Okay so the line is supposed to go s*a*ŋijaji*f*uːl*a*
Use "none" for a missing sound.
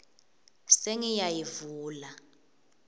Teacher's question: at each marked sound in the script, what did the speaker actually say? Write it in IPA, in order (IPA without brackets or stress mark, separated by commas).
e, v, a